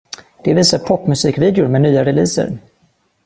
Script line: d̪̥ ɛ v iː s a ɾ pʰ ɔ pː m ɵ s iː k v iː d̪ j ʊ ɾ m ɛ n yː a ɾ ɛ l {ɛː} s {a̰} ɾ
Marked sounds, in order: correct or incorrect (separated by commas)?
incorrect, incorrect